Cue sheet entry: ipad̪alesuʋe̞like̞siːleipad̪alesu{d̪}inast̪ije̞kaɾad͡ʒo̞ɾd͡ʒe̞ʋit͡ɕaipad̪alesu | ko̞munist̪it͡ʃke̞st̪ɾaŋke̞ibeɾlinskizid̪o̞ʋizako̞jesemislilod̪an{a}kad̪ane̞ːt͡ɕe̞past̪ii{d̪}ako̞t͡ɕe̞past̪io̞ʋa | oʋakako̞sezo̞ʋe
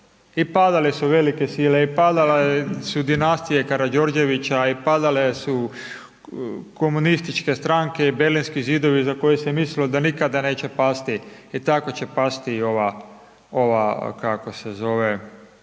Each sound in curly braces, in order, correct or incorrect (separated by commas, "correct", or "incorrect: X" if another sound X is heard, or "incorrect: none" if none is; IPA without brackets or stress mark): correct, incorrect: i, incorrect: t̪